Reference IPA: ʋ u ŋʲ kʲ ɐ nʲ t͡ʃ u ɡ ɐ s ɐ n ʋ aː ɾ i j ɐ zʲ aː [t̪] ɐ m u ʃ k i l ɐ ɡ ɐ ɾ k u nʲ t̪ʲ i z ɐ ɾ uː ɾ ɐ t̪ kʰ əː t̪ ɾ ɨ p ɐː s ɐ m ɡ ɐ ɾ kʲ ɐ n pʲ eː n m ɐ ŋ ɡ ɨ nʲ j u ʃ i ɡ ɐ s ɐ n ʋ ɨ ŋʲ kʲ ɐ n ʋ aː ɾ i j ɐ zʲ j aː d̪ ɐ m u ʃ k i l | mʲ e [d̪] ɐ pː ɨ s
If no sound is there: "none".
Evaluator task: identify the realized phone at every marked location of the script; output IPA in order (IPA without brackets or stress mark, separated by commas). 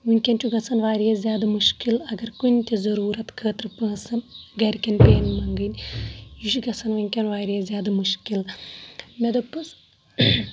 d̪, d̪